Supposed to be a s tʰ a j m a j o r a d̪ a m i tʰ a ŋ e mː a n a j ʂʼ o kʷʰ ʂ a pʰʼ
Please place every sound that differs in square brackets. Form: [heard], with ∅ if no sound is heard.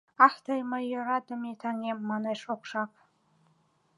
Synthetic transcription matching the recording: a [ħ] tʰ a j m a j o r a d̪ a m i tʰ a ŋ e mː a n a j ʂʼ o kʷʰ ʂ a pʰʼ